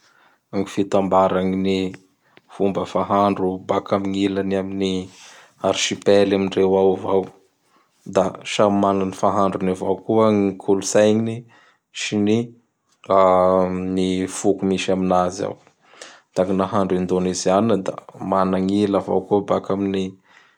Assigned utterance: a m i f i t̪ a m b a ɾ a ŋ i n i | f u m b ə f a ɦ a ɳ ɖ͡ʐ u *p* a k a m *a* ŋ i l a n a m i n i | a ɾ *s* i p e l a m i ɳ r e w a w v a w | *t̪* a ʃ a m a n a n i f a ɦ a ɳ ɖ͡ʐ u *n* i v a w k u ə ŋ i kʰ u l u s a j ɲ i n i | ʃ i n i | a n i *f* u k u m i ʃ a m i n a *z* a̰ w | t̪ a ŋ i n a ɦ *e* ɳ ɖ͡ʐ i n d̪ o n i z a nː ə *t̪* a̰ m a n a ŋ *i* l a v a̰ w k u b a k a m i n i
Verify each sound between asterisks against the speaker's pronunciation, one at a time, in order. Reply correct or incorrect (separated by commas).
incorrect, incorrect, incorrect, incorrect, correct, correct, correct, incorrect, incorrect, correct